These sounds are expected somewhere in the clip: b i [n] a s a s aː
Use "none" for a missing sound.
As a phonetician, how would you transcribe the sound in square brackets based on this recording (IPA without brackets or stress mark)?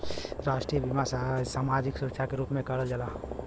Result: m